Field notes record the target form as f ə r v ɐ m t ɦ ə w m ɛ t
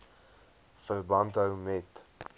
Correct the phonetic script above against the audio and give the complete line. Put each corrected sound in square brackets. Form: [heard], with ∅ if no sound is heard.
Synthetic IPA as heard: f ə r [b] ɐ [n] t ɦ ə w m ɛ t